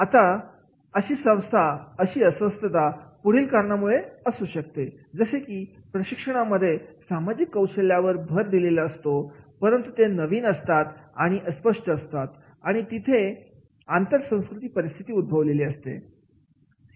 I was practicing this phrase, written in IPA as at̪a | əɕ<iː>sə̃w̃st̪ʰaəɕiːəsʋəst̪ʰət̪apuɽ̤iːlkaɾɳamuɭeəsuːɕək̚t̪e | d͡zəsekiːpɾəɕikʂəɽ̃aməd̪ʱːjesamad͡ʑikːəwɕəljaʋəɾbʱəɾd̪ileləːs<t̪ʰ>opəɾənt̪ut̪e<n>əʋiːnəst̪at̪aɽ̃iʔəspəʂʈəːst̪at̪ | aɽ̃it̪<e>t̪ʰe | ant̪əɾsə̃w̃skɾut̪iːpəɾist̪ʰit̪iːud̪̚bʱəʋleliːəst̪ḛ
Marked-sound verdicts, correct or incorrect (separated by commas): correct, incorrect, correct, incorrect